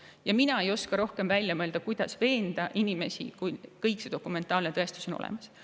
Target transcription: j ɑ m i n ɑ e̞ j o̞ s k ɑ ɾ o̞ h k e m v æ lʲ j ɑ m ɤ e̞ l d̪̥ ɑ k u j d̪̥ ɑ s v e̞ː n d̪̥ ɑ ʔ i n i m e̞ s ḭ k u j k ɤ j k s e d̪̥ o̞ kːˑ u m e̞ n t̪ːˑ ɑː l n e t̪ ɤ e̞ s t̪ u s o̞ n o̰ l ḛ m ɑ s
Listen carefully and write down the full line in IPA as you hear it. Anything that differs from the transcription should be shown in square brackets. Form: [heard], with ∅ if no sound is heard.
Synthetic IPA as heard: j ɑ m i n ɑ e̞ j o̞ s k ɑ ɾ o̞ h k e m v æ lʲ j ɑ m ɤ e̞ l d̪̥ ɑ k u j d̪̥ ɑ s v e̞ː n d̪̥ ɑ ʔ i n i m e̞ s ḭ k u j k ɤ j k s e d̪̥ o̞ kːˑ u m e̞ n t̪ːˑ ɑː l n e t̪ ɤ e̞ s t̪ u s o̞ n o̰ l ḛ m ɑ s